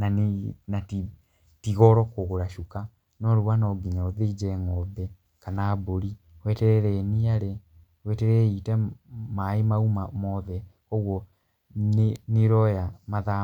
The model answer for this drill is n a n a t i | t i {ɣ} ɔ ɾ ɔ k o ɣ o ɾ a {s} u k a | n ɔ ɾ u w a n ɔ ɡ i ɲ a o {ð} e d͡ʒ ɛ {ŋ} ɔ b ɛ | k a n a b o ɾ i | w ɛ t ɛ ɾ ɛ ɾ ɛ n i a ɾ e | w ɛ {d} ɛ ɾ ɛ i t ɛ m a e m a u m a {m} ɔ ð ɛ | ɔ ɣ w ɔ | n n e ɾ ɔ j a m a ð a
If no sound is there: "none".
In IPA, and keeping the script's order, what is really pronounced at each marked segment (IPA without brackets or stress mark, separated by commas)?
ɣ, ʃ, ð, ŋ, t, m